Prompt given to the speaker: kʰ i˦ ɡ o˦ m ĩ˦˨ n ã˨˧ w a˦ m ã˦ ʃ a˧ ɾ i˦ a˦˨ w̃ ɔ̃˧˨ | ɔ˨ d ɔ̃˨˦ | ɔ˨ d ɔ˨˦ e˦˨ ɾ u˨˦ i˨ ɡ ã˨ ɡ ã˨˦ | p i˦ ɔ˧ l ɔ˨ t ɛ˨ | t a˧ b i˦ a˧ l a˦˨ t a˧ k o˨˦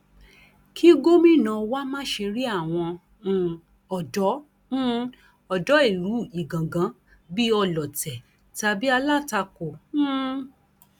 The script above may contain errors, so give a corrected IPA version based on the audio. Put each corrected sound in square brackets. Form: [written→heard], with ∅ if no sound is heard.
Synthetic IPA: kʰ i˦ ɡ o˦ m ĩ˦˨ n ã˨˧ w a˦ m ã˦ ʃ [a˧→e˧] ɾ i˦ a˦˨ w̃ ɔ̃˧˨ | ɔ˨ d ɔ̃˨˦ | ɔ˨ d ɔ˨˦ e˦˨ ɾ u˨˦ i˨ ɡ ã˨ ɡ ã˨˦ | [p→b] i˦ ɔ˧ l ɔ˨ t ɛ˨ | t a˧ b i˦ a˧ l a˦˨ t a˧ k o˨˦